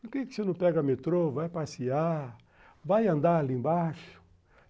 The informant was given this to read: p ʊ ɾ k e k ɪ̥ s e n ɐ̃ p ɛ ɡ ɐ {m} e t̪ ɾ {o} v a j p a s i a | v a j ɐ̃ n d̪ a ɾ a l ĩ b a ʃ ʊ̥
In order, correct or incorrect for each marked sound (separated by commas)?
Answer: correct, correct